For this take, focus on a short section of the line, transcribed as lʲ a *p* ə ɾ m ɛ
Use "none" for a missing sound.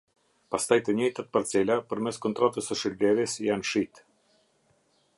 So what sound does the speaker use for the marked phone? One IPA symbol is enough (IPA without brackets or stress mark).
p